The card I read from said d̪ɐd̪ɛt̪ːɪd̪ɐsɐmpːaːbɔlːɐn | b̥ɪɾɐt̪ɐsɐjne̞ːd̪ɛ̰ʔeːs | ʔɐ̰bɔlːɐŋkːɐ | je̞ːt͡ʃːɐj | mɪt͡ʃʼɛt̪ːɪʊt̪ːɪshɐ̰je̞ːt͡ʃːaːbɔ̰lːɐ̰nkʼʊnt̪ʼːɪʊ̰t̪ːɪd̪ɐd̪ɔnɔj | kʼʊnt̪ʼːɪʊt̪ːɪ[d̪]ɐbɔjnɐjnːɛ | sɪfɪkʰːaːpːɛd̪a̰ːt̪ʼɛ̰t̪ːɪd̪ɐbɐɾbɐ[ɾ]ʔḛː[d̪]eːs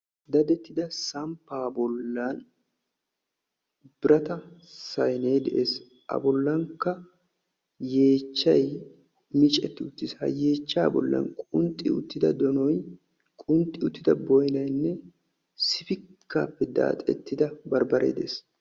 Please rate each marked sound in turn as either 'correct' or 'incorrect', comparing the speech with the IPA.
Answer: correct, correct, correct

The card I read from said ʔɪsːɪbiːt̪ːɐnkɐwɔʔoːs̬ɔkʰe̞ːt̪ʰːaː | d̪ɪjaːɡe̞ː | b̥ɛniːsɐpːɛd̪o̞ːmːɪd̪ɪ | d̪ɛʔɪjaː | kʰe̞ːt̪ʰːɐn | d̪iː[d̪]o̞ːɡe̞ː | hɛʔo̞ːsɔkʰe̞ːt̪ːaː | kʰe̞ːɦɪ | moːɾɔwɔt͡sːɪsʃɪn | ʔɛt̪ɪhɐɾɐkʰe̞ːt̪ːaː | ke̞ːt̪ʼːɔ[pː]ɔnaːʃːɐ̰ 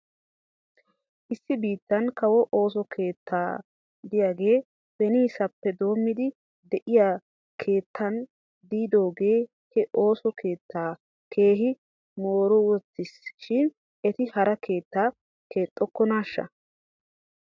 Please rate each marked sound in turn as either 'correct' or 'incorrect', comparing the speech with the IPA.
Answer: correct, incorrect: kː

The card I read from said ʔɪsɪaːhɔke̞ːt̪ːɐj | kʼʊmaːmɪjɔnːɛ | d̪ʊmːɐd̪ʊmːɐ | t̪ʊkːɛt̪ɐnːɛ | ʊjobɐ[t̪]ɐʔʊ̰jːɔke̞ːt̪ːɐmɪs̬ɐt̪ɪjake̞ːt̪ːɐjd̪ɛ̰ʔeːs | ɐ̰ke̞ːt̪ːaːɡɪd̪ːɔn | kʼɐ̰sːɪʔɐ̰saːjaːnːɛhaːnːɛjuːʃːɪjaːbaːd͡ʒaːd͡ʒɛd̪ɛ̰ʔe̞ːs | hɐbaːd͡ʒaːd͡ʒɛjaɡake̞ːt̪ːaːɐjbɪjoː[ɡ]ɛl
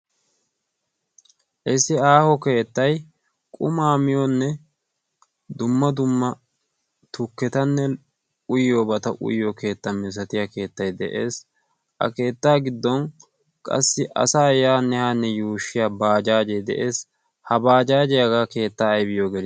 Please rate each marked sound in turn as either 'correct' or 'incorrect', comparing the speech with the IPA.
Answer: correct, correct

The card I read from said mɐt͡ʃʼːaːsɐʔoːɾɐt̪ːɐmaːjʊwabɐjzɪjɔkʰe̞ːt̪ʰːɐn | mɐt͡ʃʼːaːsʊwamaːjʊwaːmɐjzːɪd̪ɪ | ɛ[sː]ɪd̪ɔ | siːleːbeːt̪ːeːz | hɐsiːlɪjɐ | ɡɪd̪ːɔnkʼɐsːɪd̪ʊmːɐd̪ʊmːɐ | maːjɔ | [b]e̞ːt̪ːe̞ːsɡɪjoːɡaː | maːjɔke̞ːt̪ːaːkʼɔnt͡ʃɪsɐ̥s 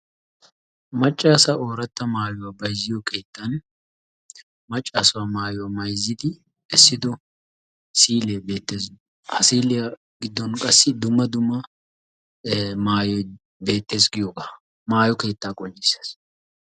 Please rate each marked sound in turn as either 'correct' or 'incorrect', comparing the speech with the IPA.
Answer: correct, correct

